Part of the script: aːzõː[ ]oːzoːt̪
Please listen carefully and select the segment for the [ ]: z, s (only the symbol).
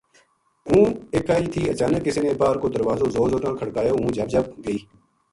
z